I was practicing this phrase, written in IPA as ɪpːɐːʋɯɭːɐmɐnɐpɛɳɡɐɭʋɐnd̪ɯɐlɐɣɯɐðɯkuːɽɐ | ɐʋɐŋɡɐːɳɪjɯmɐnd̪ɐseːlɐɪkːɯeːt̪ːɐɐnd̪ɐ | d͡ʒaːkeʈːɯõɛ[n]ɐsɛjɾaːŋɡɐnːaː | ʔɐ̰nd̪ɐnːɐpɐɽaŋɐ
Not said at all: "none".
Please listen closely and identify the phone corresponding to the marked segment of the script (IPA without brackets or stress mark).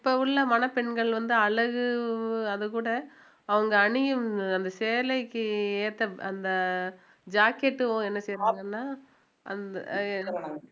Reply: nː